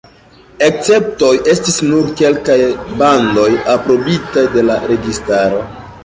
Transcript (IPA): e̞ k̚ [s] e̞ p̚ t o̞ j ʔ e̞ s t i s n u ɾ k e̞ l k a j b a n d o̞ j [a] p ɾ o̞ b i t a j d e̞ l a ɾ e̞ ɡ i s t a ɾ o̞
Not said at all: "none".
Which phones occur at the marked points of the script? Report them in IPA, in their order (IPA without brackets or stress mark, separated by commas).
t͡s, a